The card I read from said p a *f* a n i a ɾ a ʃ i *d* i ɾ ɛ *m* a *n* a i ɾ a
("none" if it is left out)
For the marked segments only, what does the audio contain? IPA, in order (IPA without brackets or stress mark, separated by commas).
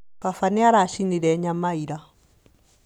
f, n, ɲ, m